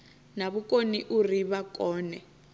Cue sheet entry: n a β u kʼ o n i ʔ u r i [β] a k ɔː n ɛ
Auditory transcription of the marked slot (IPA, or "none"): β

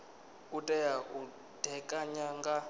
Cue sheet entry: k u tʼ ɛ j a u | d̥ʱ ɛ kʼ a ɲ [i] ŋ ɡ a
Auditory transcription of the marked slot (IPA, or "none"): a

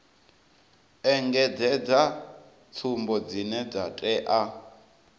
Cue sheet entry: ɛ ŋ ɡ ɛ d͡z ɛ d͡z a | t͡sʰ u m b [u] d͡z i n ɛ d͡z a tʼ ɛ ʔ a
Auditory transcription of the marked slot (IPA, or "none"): ɔ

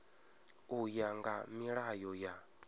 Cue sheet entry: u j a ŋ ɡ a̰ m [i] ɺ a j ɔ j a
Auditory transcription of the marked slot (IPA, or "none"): i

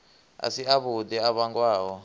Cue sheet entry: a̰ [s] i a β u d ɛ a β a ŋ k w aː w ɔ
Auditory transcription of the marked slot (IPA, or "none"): s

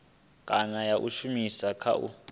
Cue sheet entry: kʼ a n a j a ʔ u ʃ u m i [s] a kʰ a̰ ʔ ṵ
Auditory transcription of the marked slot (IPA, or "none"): s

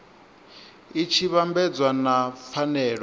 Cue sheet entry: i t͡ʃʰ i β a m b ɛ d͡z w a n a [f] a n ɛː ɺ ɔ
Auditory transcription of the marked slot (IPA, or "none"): f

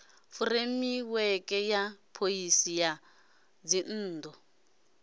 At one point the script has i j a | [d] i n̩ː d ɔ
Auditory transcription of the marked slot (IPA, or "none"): d͡z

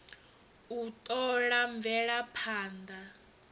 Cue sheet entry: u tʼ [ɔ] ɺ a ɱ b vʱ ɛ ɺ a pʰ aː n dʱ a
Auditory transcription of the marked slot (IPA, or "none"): ɔ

